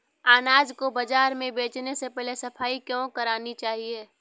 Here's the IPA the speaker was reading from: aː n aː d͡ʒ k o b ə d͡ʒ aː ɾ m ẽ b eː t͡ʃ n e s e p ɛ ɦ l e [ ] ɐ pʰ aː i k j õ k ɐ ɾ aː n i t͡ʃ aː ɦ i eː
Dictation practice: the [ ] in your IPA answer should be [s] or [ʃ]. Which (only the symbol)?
s